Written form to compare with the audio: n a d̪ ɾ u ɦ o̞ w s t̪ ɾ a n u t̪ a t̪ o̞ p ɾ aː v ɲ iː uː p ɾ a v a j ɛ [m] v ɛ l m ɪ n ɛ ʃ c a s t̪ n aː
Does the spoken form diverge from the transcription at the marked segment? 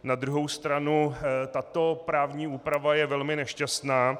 yes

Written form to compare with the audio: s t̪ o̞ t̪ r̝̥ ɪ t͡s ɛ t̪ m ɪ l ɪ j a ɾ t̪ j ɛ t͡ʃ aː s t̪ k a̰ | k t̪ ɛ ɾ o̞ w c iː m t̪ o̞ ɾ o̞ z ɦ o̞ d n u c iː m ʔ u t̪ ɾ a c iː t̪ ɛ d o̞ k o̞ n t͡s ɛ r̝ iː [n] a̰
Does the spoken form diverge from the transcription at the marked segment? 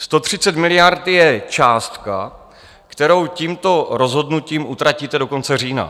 no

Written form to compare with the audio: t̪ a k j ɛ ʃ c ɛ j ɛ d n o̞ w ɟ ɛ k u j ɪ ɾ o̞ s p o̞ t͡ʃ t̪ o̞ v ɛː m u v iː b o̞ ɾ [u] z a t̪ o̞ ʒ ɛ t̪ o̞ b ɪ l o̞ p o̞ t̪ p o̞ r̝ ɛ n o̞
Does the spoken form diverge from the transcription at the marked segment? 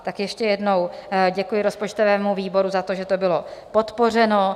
no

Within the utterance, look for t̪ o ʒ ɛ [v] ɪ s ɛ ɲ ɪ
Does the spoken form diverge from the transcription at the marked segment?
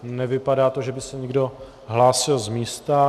yes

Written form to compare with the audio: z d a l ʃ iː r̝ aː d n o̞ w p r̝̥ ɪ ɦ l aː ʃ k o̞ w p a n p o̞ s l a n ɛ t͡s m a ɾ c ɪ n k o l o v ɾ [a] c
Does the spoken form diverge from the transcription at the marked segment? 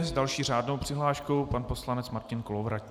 no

